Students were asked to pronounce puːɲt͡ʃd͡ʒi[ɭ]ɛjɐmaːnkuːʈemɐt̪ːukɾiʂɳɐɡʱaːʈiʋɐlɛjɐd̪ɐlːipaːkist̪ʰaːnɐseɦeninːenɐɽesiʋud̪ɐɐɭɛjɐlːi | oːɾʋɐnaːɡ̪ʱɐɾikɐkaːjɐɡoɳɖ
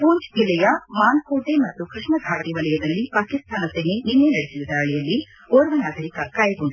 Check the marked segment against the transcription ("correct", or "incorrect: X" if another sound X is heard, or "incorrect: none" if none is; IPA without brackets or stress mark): incorrect: l